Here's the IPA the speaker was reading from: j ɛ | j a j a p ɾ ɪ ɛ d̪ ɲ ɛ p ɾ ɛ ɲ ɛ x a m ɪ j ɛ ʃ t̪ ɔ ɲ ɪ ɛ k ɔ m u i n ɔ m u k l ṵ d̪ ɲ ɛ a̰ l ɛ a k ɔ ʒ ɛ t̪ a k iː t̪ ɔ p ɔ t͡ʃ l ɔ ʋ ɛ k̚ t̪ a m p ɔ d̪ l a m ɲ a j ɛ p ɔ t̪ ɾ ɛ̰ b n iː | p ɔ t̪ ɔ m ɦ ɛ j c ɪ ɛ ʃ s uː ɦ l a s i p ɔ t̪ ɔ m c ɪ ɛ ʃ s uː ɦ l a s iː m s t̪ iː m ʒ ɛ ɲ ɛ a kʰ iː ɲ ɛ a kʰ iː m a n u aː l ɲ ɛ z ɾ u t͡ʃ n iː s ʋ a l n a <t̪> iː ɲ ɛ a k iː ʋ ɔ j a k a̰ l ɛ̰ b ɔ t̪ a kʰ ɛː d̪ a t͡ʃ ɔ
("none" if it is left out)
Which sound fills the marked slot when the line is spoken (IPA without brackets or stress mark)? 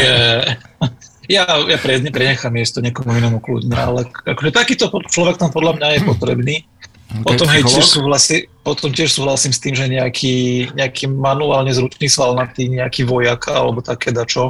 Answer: t̪